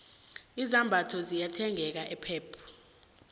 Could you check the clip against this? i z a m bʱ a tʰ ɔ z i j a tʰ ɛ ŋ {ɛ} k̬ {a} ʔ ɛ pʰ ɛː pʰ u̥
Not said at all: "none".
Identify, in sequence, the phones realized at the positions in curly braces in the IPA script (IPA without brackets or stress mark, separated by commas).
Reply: ɛ, a